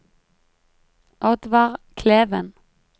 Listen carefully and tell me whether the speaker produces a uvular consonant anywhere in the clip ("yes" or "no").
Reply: yes